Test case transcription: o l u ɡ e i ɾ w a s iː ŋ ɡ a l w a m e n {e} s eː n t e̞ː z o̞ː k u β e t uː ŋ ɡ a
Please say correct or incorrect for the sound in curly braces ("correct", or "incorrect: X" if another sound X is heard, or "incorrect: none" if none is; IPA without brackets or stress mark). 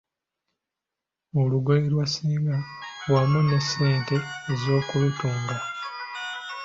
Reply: correct